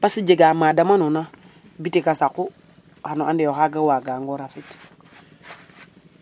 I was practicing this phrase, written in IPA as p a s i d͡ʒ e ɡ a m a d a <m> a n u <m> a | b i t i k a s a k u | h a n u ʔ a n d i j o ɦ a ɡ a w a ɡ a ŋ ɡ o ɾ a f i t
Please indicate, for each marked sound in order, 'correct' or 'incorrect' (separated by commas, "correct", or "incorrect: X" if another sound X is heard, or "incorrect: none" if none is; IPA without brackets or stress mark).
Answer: correct, incorrect: n